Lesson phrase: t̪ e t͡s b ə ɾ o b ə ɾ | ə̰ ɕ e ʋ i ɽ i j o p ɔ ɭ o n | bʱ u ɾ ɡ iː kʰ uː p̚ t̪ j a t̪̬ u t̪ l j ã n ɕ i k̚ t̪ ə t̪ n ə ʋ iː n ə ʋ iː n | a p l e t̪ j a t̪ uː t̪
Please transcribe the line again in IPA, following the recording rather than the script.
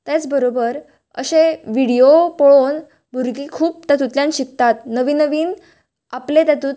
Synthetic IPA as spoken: t̪ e t͡s b ə ɾ o b ə ɾ | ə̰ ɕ e ʋ i ɽ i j o p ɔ ɭ o n | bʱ u ɾ ɡ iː kʰ uː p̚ t̪ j a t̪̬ u t̪ l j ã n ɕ i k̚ t̪ a t̪ n ə ʋ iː n ə ʋ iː n | a p l e t̪ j a t̪ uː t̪